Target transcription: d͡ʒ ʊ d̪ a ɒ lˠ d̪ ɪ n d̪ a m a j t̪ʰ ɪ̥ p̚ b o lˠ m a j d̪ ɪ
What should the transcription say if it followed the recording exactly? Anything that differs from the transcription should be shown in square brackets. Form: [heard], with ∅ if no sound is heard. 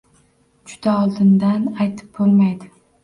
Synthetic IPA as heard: d͡ʒ ʊ d̪ a ɒ lˠ d̪ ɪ n d̪ a [n] a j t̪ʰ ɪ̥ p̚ b o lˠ m a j d̪ ɪ